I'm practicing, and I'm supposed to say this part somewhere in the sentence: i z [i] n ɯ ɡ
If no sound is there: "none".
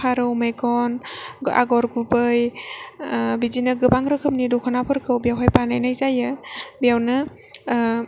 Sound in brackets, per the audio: i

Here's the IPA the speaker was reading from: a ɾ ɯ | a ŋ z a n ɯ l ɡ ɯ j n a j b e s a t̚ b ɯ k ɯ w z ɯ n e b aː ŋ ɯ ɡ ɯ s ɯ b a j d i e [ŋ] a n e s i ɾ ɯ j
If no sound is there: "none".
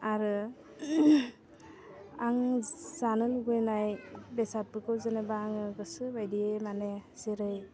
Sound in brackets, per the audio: m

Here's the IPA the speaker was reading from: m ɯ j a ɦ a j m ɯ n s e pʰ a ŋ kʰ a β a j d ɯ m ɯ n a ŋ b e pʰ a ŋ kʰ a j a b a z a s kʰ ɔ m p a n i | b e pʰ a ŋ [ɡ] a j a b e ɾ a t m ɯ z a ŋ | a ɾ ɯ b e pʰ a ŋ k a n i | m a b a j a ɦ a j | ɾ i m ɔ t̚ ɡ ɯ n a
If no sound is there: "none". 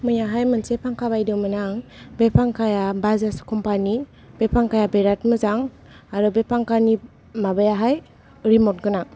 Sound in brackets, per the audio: k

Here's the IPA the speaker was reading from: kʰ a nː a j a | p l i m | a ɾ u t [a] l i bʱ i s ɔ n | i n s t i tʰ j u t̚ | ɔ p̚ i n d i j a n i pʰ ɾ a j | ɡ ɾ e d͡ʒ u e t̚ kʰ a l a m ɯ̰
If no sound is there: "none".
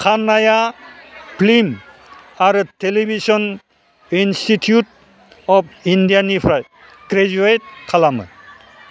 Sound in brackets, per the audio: e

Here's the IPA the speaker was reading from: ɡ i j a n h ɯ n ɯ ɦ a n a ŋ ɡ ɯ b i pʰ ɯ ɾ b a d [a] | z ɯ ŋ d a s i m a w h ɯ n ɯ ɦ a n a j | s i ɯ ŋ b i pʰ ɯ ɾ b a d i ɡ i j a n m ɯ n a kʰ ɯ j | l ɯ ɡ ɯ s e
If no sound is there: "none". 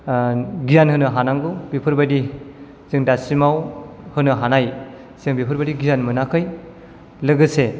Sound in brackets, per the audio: i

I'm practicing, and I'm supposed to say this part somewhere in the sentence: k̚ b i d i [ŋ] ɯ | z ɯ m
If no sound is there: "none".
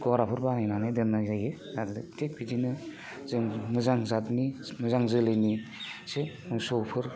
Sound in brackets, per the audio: n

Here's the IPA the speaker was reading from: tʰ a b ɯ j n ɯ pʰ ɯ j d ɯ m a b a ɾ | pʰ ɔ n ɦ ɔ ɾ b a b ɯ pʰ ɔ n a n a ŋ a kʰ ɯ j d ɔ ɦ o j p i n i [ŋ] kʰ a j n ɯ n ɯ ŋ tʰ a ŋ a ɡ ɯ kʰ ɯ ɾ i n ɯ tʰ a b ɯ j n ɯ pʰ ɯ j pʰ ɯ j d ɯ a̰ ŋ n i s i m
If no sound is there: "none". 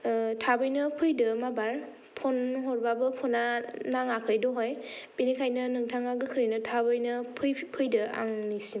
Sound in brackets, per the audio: none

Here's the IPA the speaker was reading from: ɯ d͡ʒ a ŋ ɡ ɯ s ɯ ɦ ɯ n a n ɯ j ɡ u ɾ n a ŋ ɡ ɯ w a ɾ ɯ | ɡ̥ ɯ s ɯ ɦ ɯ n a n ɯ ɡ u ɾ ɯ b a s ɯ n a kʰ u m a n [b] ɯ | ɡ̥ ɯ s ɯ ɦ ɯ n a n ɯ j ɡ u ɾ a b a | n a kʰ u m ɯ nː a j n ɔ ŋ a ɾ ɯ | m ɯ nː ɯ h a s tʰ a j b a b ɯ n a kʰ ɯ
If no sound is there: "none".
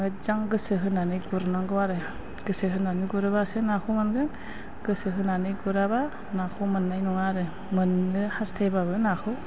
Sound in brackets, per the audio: ɡ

